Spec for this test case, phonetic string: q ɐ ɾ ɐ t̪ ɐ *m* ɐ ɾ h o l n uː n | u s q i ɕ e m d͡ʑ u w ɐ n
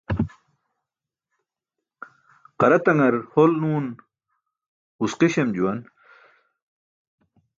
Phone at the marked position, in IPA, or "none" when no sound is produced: ŋ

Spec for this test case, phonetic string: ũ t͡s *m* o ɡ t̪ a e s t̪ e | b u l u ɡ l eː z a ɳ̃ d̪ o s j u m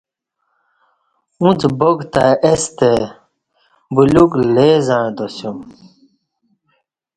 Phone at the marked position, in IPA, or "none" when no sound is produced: b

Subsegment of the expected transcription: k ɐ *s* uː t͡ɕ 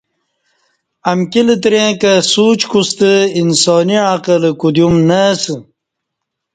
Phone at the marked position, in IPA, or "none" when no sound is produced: s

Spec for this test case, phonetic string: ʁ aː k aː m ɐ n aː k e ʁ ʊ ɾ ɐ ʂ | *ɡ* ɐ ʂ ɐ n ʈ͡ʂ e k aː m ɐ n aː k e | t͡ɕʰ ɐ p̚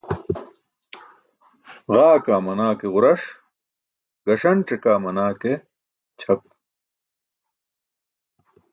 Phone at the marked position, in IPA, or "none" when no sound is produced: ɡ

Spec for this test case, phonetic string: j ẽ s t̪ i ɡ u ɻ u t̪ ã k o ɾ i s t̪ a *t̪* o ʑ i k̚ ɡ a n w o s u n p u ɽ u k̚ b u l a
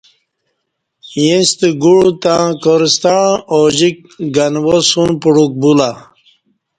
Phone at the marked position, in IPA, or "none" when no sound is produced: none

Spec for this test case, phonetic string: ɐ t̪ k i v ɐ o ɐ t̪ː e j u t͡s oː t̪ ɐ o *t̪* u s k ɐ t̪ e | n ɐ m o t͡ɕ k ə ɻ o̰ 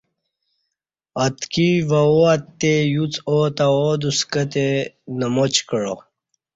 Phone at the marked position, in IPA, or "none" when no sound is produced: d̪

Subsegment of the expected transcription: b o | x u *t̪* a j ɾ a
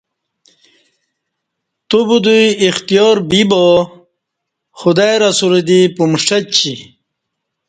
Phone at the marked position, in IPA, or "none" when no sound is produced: d̪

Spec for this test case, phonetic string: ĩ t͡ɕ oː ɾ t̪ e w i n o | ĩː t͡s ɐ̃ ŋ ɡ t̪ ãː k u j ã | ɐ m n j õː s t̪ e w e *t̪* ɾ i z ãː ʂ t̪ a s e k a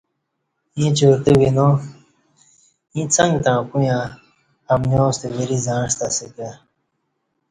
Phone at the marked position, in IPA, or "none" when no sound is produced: none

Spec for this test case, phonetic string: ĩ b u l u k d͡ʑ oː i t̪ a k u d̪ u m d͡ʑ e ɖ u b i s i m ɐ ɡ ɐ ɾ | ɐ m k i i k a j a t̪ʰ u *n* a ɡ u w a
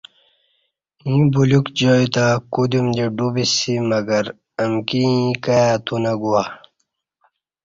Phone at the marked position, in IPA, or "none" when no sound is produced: n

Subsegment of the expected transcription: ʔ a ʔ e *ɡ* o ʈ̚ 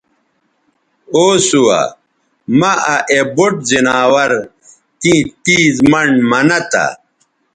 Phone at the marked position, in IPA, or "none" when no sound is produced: b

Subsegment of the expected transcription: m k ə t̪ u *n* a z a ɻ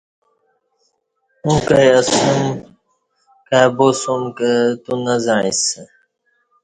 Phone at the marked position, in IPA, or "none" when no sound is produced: n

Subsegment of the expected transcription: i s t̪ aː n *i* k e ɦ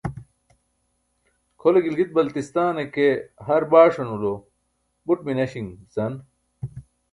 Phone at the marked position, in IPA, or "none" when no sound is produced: e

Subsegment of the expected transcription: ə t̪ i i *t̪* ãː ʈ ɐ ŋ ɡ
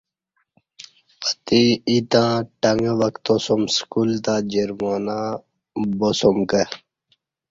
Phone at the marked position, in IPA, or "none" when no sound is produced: t̪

